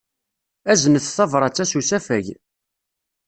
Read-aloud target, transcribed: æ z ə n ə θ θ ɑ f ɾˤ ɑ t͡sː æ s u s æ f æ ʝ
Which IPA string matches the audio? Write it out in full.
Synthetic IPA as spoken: æ z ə n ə θ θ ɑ v ɾˤ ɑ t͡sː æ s u s æ f æ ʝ